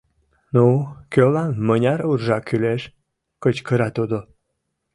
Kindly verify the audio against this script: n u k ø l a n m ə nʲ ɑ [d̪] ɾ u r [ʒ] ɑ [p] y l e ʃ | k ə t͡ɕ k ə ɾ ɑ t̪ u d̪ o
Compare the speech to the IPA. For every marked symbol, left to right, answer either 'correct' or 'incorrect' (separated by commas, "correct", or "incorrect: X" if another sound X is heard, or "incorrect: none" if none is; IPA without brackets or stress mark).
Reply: incorrect: none, correct, incorrect: k